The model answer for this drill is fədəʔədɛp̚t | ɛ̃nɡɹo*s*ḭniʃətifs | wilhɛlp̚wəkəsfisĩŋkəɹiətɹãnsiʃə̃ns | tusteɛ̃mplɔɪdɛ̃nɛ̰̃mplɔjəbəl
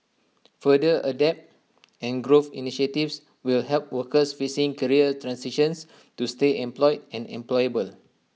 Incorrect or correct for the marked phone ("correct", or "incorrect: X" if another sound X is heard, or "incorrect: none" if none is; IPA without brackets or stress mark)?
incorrect: f